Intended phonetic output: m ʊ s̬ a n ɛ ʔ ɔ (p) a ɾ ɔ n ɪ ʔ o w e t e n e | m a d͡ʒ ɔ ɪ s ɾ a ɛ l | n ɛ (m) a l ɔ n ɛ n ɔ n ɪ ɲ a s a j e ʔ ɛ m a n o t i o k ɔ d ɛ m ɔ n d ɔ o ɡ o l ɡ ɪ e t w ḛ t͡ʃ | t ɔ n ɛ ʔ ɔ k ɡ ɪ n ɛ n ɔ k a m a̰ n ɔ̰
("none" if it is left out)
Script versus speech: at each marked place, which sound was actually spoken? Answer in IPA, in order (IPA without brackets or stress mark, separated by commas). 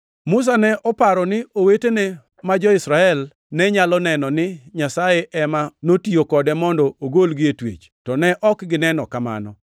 p, ɲ